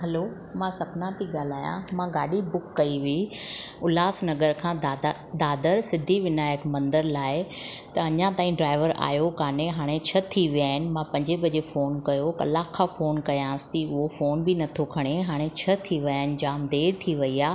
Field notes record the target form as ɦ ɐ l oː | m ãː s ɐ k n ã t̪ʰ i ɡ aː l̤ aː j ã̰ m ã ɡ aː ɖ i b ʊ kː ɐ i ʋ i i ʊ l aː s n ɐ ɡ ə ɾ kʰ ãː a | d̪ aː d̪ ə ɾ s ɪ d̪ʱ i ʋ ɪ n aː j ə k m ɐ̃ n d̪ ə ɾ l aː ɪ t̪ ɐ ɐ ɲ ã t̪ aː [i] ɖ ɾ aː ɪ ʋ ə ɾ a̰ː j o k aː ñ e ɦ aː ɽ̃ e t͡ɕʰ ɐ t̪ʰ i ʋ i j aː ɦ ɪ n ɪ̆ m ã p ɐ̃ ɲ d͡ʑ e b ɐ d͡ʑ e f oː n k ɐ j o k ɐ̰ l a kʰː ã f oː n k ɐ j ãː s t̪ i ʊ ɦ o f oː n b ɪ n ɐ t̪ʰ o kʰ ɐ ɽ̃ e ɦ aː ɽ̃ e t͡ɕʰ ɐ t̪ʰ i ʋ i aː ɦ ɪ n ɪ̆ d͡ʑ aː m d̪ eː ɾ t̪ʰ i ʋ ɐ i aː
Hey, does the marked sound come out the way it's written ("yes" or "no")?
no